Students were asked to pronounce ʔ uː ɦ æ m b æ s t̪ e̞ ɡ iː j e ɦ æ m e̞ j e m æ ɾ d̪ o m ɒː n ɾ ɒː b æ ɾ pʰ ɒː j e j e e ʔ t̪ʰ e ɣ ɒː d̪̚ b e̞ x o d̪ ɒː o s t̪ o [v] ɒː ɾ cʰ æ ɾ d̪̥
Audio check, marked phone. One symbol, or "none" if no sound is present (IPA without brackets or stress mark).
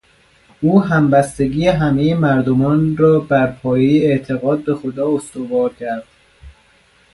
v